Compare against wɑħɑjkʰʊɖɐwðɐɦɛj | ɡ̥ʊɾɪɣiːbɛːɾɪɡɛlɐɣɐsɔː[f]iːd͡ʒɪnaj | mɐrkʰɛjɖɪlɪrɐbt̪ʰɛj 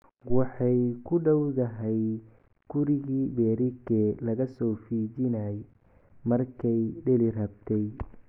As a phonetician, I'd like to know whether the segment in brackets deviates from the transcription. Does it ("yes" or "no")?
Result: no